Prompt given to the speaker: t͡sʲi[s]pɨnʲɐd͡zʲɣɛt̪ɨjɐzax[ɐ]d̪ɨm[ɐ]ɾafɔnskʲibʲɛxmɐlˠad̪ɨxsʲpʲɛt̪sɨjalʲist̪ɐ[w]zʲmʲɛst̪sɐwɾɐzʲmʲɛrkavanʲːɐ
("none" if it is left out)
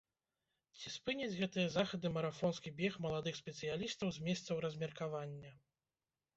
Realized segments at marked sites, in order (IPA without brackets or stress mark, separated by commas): s, ɐ, ɐ, w